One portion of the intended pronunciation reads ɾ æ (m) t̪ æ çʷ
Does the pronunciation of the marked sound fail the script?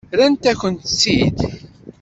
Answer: yes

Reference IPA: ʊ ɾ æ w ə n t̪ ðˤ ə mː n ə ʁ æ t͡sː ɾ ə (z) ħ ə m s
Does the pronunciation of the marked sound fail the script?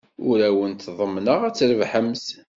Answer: yes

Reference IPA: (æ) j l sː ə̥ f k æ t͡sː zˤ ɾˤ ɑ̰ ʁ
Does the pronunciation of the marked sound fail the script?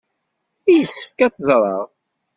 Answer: yes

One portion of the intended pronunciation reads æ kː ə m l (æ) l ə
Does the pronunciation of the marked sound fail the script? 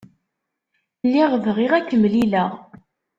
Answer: yes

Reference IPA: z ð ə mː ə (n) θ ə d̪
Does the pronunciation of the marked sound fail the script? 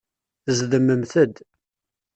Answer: yes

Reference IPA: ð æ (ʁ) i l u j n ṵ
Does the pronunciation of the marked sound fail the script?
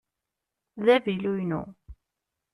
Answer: yes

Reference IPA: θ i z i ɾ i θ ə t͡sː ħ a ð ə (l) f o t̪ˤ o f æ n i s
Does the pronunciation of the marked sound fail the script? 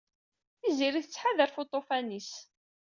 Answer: yes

